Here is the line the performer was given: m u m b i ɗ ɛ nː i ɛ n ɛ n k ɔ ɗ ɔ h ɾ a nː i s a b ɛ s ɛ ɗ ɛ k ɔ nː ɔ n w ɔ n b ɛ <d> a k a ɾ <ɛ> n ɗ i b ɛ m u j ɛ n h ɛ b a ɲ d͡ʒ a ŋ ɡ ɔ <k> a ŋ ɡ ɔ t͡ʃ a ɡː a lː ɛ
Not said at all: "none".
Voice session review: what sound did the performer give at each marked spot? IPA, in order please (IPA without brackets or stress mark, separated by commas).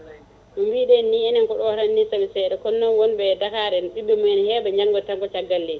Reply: d, ɛ, t